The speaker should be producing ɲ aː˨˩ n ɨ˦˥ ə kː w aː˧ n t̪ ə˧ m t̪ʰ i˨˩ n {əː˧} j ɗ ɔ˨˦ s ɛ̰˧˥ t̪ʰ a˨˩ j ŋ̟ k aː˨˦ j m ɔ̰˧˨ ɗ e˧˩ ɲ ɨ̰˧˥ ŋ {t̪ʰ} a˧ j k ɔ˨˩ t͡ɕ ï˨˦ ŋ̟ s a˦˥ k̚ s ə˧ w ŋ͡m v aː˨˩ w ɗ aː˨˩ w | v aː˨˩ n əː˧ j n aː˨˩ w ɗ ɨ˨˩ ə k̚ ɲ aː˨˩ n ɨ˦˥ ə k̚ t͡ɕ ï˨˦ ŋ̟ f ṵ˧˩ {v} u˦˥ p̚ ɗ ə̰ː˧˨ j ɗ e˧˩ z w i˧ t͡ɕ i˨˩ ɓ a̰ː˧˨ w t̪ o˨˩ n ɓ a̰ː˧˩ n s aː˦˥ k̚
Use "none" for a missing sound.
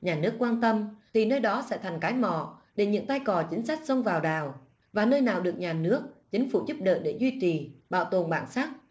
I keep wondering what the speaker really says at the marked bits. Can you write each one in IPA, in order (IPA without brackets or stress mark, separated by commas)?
əː˧, t̪, z